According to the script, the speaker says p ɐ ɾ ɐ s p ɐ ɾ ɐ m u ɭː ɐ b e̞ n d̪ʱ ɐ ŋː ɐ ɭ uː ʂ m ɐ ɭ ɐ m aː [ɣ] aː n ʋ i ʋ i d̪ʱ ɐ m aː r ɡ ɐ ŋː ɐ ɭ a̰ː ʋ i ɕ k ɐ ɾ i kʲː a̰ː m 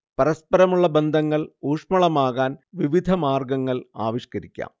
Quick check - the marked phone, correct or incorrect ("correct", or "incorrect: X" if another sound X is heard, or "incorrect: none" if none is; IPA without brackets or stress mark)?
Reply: correct